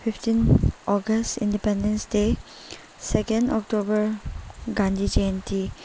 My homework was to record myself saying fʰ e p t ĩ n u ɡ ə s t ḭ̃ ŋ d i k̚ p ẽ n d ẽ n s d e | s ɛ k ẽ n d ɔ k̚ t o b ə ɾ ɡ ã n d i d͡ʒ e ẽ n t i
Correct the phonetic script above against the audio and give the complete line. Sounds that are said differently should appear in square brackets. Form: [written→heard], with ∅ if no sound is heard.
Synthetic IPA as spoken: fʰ [e→i] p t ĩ n [u→ɔ] ɡ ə s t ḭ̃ [ŋ→n] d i [k̚→∅] p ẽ n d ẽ n s d e | s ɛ k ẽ n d ɔ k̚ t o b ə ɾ ɡ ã n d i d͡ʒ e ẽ n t i